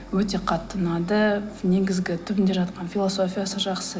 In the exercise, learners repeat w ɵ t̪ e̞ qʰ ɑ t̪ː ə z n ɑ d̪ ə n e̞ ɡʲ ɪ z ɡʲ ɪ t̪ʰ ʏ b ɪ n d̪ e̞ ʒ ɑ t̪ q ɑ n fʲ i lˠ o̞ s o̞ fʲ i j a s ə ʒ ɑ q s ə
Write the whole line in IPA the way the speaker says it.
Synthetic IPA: w ɵ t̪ e̞ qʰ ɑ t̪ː ə n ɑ d̪ ə n e̞ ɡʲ ɪ z ɡʲ ɪ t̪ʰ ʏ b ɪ n d̪ e̞ ʒ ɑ t̪ q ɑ n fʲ i lˠ o̞ s o̞ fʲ i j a s ə ʒ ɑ q s ə